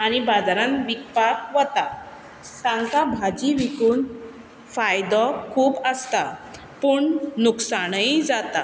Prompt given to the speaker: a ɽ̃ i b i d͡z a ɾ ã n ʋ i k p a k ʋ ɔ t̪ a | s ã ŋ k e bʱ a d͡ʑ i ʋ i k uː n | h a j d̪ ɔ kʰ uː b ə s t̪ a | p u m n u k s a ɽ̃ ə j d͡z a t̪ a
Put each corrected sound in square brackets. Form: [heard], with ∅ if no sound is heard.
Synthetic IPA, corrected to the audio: a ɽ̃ i b [a] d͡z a ɾ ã n ʋ i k p a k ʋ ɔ t̪ a | s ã ŋ k [a] bʱ a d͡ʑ i ʋ i k uː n | [f] a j d̪ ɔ kʰ uː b ə s t̪ a | p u [ɳ] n u k s a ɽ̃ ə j d͡z a t̪ a